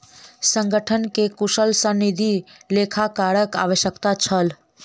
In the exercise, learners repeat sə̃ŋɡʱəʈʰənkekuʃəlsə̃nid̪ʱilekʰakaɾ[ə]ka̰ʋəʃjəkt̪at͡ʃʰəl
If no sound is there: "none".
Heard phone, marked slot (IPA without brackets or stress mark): ə